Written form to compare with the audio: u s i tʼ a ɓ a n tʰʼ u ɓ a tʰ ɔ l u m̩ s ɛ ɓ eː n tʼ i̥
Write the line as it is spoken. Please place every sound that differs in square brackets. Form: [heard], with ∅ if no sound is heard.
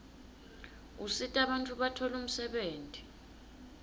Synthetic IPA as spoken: u s i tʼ a ɓ a n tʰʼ u ɓ a tʰ ɔ l u m̩ s ɛ ɓ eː n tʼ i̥